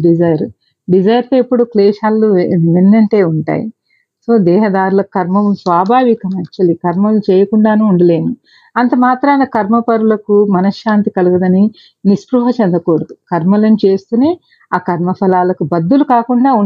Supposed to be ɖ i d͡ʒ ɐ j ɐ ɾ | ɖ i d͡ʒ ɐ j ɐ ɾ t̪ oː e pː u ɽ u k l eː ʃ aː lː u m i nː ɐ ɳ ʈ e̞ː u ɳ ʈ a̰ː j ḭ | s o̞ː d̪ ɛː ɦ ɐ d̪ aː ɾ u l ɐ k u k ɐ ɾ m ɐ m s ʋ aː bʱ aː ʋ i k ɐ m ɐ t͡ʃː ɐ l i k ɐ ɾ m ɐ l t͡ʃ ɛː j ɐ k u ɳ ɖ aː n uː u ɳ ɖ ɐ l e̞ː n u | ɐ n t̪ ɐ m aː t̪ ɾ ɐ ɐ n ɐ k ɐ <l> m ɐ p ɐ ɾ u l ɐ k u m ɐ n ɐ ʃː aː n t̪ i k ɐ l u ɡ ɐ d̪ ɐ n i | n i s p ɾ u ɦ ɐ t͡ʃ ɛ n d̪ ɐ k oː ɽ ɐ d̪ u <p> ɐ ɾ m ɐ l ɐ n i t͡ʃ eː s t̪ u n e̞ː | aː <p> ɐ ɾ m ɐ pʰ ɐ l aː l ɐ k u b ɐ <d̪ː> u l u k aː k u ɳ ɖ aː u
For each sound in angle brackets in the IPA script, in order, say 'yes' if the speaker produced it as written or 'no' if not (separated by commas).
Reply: no, no, no, yes